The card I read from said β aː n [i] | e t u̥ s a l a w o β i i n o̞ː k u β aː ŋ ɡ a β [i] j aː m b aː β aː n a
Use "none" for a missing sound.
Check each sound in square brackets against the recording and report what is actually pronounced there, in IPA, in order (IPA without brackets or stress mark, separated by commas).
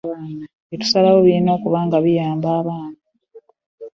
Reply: a, i